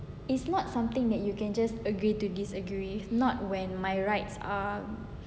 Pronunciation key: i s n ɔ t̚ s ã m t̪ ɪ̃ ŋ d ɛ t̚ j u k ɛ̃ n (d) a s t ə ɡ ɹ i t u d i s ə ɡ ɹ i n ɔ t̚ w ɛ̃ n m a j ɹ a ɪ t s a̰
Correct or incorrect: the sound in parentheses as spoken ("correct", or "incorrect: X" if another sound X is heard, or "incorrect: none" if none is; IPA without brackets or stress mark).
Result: incorrect: d͡ʒ